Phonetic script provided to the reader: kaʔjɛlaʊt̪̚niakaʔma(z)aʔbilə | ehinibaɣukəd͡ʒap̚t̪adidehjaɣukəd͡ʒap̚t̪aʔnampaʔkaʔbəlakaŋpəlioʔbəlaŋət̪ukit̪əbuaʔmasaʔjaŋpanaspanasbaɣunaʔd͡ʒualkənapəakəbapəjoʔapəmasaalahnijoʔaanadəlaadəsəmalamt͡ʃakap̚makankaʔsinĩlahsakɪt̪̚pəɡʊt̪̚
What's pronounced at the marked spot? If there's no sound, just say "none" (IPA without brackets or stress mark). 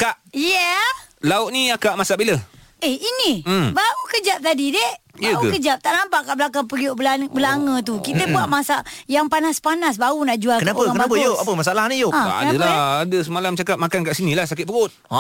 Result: s